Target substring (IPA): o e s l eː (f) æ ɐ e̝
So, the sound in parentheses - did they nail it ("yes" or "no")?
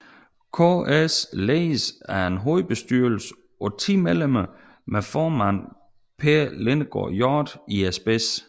no